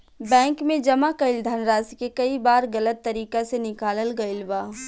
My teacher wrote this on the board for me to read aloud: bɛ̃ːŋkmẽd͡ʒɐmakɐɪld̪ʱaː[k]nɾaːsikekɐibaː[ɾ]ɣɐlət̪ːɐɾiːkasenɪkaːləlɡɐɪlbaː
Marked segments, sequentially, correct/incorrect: incorrect: none, correct

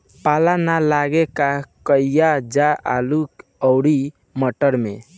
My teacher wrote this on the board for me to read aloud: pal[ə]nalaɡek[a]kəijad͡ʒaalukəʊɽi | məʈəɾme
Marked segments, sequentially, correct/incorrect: incorrect: a, correct

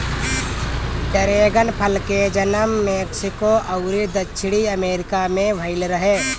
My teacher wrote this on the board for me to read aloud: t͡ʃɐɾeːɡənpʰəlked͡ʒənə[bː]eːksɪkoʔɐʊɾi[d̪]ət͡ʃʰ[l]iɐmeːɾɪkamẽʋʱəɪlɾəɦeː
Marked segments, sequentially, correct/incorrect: incorrect: mː, correct, incorrect: ɽ

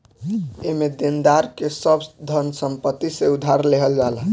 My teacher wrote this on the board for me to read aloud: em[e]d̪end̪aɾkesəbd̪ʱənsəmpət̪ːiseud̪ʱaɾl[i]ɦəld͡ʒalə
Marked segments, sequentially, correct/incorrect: correct, incorrect: e

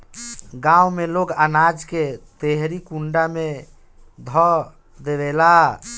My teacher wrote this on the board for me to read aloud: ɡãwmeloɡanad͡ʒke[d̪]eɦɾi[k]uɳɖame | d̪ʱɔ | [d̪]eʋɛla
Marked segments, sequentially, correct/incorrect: incorrect: t̪, correct, correct

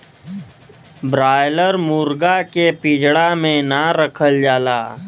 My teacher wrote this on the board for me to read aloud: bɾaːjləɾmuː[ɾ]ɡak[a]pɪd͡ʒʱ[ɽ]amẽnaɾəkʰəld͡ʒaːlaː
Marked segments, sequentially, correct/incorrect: correct, incorrect: e, correct

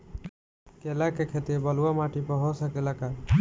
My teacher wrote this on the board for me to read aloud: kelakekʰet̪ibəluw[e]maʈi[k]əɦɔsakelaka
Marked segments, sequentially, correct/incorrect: incorrect: a, incorrect: p

